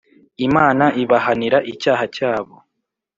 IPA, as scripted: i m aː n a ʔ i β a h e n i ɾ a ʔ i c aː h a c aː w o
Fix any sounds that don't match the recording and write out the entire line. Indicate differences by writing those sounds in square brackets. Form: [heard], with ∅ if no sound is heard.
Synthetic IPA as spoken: i m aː n a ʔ i β a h [a] n i ɾ a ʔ i c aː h a c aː [β] o